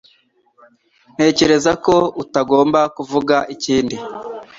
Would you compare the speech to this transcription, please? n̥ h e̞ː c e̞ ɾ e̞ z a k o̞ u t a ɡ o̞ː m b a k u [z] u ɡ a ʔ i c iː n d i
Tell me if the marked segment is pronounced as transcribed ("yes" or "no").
no